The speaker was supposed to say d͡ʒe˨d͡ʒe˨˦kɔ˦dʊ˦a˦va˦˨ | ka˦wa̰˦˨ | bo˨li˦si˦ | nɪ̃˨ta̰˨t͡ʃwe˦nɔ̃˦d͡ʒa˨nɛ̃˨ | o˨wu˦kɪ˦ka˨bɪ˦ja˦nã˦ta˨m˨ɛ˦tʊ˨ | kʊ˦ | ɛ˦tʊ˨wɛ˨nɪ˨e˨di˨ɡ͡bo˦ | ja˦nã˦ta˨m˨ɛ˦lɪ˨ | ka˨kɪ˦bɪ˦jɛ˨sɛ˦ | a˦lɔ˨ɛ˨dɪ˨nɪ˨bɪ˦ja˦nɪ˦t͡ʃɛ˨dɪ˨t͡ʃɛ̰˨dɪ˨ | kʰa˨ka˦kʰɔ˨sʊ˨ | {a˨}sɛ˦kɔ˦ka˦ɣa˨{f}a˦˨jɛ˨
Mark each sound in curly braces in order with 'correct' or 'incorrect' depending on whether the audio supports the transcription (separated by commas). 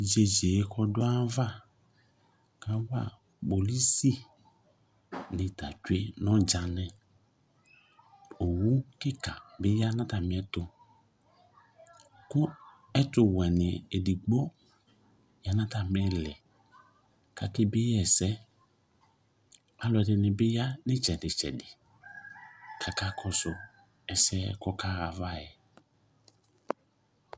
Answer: incorrect, incorrect